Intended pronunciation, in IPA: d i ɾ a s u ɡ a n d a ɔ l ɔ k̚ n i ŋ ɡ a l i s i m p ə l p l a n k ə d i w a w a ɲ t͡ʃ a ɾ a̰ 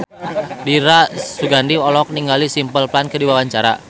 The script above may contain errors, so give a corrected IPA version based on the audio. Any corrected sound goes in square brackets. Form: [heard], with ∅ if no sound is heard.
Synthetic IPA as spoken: d i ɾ a s u ɡ a n d [i] ɔ l ɔ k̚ n i ŋ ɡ a l i s i m p ə l p l a n k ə d i w a w a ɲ t͡ʃ a ɾ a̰